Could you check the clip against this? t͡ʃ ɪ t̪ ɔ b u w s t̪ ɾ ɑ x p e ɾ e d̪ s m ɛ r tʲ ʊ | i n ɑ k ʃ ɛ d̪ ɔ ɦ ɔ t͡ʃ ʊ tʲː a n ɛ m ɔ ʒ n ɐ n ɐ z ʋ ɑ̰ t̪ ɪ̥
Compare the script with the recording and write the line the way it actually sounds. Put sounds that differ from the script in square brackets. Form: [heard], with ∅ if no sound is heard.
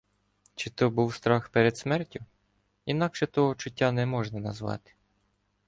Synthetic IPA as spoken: t͡ʃ ɪ t̪ ɔ b u w s t̪ ɾ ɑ x p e ɾ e d̪ s m ɛ r tʲ ʊ | i n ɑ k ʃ ɛ [t̪] ɔ ɦ ɔ t͡ʃ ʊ tʲː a n ɛ m ɔ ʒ n ɐ n ɐ z ʋ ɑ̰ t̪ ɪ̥